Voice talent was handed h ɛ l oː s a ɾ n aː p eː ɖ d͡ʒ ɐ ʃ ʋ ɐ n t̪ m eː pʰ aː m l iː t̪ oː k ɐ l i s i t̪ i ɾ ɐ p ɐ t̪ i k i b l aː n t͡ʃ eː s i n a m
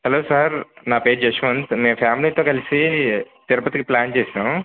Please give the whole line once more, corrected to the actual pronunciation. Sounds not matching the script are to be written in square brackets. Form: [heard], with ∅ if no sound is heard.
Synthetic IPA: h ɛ l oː s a ɾ n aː p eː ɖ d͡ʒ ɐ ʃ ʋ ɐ n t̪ m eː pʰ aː m l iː t̪ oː k ɐ l i s i t̪ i ɾ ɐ p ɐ t̪ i k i [p] l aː n t͡ʃ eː s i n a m